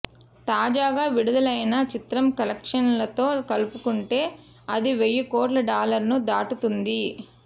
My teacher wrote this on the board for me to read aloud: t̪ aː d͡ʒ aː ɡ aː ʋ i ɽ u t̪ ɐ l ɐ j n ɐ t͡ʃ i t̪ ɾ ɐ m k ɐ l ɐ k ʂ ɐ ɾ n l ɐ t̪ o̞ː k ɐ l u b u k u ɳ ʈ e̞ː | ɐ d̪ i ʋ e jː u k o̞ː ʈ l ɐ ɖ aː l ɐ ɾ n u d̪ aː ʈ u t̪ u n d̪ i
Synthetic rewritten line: t̪ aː d͡ʒ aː ɡ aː ʋ i ɽ u d̪ ɐ l ɐ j n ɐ t͡ʃ i t̪ ɾ ɐ m k ɐ l ɐ k ʂ ɐ n l ɐ t̪ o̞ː k ɐ l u p u k u ɳ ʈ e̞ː | ɐ d̪ i ʋ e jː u k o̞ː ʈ l ɐ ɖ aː l ɐ ɾ n u d̪ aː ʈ u t̪ u n d̪ i